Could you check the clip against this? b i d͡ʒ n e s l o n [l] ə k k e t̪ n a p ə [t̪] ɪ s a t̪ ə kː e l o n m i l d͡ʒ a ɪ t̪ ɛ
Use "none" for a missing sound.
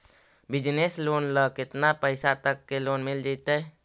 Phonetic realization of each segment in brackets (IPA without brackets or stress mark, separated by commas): l, none